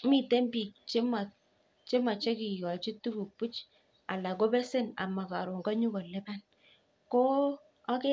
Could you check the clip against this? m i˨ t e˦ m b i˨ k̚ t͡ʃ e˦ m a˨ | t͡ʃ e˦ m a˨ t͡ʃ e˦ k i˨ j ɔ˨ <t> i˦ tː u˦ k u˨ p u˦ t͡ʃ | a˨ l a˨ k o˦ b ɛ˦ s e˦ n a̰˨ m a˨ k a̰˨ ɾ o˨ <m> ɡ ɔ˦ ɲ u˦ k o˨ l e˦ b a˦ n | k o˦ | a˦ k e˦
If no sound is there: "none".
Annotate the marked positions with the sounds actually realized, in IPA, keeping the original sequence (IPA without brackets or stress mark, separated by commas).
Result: t͡ʃ, ŋ